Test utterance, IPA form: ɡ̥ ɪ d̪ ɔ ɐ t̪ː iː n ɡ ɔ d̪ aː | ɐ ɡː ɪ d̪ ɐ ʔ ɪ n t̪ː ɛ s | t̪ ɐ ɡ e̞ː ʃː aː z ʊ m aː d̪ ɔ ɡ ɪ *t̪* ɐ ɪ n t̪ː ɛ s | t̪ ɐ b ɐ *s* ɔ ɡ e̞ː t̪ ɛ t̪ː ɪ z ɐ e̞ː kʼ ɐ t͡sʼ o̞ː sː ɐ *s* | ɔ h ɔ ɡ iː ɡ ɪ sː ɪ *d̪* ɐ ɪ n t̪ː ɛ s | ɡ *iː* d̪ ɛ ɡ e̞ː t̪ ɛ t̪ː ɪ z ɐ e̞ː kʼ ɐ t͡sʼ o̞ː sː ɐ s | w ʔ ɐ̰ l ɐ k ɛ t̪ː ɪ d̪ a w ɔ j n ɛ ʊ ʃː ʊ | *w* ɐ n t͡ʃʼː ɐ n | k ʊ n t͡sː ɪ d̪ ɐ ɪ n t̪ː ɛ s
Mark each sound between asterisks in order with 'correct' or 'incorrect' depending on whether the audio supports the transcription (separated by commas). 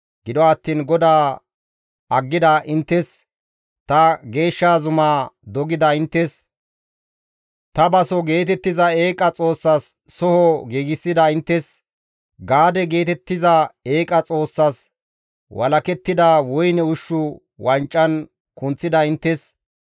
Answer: incorrect, correct, incorrect, correct, incorrect, correct